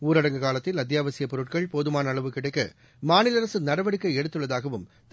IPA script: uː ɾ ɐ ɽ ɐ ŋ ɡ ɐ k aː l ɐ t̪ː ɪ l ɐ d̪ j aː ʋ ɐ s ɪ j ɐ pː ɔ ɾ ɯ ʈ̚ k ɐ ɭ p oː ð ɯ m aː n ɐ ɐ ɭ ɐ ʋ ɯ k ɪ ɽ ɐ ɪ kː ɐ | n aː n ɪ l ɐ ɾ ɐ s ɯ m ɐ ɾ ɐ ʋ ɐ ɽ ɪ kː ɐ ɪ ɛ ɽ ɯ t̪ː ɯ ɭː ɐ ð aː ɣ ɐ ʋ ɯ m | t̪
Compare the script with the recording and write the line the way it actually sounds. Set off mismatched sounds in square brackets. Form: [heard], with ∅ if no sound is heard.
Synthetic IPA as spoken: uː ɾ ɐ ɽ ɐ ŋ ɡ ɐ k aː l ɐ t̪ː ɪ l ɐ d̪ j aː ʋ ɐ s ɪ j ɐ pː ɔ ɾ ɯ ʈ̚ k ɐ ɭ p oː ð ɯ m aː n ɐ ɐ ɭ ɐ ʋ ɯ k ɪ ɽ ɐ ɪ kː ɐ | [m] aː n ɪ l ɐ ɾ ɐ s ɯ [n] ɐ ɾ ɐ ʋ ɐ ɽ ɪ kː ɐ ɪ ɛ ɽ ɯ t̪ː ɯ ɭː ɐ ð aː ɣ ɐ ʋ ɯ m | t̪